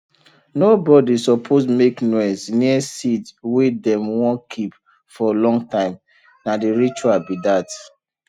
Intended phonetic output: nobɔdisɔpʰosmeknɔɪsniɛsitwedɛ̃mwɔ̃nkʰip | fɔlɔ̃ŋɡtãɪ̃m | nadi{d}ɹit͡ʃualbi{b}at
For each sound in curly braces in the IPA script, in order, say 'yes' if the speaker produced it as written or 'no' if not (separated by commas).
no, no